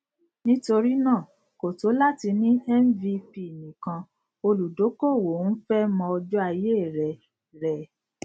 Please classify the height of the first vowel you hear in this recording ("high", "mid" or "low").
high